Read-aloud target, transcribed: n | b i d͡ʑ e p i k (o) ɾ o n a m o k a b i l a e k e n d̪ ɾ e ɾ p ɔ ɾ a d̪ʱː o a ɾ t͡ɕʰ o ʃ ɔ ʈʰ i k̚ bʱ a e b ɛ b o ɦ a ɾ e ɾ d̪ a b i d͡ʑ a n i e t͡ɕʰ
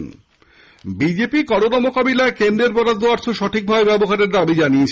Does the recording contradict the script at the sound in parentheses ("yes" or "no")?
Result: yes